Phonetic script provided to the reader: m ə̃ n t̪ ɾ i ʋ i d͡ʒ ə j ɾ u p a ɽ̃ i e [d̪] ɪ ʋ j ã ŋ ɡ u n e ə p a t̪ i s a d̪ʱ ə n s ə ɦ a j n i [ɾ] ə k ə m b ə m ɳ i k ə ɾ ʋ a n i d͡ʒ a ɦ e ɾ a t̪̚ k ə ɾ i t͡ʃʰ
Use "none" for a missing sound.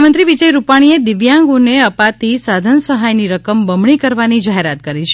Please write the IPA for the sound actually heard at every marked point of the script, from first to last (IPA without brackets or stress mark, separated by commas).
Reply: d̪, ɾ